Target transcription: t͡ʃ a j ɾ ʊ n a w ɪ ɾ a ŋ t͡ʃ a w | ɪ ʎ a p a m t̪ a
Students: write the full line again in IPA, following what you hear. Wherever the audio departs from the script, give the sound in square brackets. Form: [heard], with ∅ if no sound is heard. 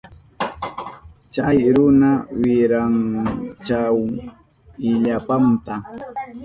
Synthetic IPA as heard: t͡ʃ a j ɾ ʊ n a w ɪ ɾ a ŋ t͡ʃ a w | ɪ ʎ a p a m t̪ a